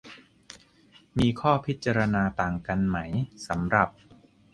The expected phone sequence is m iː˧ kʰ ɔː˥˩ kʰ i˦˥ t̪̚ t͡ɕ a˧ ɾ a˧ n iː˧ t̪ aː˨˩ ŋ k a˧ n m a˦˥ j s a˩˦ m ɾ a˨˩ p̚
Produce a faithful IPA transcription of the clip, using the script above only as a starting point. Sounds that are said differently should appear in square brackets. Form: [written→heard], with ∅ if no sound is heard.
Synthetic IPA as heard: m iː˧ kʰ ɔː˥˩ [kʰ→pʰ] i˦˥ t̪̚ t͡ɕ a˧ ɾ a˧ n [iː˧→aː˧] t̪ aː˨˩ ŋ k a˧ n m a˦˥ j s a˩˦ m ɾ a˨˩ p̚